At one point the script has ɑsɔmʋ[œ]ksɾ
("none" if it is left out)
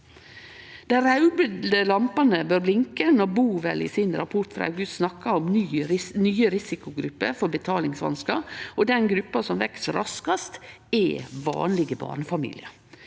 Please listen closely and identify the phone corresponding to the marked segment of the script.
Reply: ɛ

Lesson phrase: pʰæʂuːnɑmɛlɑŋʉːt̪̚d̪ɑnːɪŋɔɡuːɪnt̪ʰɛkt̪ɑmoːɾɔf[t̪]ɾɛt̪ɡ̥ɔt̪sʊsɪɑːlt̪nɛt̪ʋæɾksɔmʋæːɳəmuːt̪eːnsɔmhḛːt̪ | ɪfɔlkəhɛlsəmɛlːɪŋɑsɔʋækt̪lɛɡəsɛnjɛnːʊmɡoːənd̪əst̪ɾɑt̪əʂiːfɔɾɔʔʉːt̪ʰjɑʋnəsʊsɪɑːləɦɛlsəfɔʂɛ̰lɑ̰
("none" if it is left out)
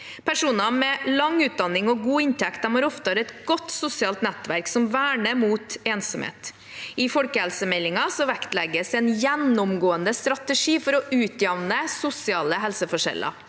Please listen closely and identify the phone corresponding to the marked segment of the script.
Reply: t̪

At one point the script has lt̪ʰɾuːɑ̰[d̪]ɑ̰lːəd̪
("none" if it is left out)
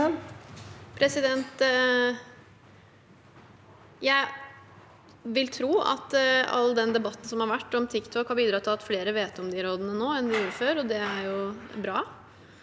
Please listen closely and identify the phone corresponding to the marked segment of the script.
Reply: t̪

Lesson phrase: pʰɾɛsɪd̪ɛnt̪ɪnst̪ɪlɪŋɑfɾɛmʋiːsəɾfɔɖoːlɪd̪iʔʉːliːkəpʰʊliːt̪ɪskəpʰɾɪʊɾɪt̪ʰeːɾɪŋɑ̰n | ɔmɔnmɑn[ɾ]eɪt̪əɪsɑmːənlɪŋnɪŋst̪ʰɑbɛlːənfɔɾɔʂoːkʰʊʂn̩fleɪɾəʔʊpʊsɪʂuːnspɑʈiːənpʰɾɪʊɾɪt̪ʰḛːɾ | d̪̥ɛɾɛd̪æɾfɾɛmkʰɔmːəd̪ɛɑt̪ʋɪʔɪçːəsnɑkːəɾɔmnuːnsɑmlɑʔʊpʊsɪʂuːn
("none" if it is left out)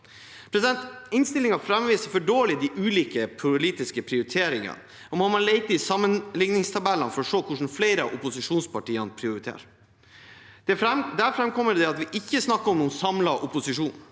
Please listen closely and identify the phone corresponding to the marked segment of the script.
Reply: l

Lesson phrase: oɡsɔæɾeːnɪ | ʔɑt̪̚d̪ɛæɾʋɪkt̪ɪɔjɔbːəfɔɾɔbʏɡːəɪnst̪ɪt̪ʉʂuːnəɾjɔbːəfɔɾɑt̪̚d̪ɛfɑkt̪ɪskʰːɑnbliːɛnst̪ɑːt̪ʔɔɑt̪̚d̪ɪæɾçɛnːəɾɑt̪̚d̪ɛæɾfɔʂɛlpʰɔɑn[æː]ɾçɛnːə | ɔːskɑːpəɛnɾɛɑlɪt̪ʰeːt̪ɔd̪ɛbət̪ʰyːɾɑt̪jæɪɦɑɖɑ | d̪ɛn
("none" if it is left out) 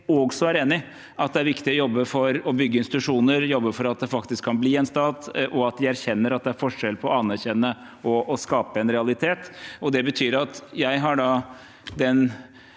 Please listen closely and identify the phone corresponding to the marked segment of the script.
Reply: æ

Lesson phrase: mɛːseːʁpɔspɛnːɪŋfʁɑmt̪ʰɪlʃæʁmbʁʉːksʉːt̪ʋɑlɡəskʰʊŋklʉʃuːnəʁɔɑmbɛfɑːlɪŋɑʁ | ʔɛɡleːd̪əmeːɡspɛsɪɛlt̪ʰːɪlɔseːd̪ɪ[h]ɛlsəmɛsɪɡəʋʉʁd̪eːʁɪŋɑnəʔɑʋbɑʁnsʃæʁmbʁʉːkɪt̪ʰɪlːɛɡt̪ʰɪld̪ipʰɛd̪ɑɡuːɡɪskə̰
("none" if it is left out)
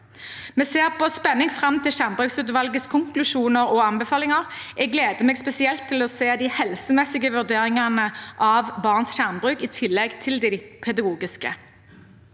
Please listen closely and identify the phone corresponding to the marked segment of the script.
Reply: h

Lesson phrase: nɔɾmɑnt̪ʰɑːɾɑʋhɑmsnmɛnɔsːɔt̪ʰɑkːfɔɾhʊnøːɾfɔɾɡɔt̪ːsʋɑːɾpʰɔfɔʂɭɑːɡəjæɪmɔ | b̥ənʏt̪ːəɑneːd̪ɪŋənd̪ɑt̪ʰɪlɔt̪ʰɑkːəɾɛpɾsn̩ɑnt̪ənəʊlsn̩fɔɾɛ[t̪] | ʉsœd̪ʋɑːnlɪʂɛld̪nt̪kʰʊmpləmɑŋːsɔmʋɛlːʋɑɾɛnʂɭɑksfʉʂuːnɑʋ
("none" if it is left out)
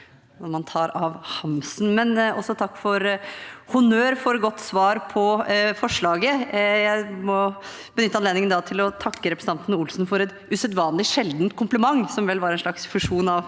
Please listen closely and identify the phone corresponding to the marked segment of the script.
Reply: t̪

